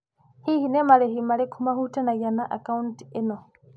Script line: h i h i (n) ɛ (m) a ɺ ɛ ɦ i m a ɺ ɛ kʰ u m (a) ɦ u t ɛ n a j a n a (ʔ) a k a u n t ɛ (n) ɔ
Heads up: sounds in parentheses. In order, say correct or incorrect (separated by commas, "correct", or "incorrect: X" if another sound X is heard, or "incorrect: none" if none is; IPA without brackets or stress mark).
correct, correct, correct, correct, correct